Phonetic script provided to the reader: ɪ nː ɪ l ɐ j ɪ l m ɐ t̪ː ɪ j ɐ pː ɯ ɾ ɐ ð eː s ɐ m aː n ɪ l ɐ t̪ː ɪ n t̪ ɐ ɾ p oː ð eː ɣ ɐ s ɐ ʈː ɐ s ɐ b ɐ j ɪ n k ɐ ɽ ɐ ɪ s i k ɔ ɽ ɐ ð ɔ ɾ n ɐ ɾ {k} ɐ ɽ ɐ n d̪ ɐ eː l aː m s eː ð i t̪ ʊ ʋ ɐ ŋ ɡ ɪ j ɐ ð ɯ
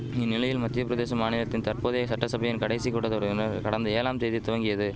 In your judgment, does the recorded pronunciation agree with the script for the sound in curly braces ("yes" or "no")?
yes